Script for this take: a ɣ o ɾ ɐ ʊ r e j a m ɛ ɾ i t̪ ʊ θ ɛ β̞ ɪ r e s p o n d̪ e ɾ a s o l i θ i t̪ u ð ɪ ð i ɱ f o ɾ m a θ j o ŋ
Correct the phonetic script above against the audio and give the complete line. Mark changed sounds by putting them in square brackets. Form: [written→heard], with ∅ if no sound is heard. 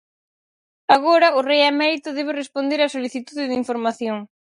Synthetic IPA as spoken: a ɣ o ɾ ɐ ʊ r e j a m ɛ ɾ i t̪ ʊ [θ→ð] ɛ β̞ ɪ r e s p o n d̪ e ɾ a s o l i θ i t̪ u ð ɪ ð i ɱ f o ɾ m a θ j o ŋ